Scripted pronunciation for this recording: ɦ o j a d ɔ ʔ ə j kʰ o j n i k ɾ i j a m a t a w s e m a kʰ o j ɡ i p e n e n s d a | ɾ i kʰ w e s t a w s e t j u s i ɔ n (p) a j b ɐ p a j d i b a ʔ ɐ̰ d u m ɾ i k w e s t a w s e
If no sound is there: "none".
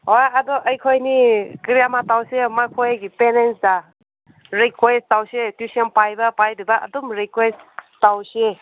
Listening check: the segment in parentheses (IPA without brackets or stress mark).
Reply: p